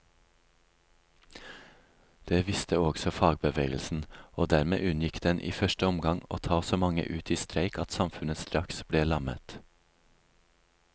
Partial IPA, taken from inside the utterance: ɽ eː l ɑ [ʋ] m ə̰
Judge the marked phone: incorrect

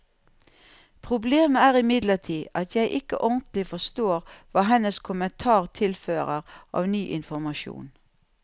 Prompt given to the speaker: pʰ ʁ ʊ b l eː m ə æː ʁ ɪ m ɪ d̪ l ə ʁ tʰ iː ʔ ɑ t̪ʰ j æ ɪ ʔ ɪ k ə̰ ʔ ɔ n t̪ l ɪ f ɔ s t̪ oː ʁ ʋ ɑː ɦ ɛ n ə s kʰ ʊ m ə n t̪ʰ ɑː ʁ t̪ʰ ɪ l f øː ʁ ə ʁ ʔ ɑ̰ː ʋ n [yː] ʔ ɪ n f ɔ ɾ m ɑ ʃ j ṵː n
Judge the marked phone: correct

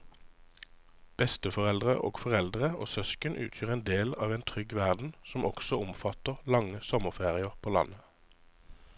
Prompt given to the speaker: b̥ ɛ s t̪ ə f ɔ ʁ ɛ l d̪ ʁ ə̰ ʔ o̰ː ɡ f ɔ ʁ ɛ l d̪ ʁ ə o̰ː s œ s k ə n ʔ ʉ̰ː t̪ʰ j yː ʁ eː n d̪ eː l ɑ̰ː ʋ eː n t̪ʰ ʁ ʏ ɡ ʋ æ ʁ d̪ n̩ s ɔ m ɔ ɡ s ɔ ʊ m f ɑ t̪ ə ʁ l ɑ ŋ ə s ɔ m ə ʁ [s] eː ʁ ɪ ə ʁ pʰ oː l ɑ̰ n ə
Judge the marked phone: incorrect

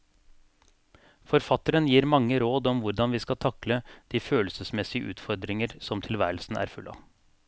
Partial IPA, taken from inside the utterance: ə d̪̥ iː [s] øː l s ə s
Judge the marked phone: incorrect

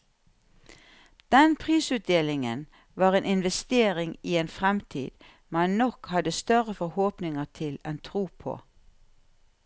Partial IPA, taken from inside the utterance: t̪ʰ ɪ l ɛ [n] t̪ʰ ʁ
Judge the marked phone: correct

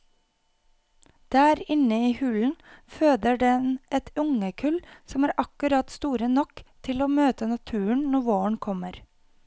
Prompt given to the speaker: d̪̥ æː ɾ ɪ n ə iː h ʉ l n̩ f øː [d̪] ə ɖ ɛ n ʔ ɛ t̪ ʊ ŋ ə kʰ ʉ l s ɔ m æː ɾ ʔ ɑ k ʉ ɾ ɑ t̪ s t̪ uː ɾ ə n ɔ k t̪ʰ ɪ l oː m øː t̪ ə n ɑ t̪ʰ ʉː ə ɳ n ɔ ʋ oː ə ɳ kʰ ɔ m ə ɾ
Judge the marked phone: correct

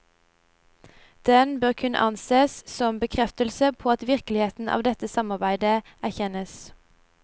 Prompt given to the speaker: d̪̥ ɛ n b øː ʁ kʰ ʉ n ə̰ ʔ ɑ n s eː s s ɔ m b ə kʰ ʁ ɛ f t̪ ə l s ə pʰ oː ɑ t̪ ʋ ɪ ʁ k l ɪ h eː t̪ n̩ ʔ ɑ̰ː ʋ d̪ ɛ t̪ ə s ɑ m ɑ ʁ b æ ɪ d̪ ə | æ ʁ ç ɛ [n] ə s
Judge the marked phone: correct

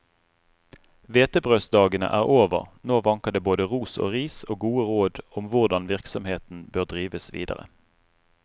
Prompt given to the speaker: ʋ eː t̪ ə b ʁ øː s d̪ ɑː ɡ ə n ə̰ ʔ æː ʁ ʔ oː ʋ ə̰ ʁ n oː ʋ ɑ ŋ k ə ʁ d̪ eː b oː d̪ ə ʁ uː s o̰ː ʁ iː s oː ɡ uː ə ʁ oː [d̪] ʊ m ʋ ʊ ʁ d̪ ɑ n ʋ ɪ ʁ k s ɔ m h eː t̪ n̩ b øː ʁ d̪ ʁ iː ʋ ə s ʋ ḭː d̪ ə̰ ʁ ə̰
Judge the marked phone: correct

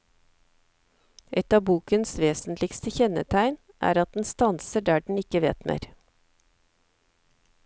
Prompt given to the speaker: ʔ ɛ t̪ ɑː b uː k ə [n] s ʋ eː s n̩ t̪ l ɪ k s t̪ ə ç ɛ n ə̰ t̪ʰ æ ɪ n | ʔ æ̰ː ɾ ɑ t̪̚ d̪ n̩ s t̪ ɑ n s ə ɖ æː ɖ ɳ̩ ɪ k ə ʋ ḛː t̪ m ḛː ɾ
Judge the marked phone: correct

